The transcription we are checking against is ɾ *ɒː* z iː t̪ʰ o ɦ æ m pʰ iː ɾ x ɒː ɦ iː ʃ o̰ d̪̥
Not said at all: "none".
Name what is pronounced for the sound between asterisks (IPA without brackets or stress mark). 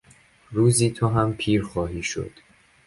uː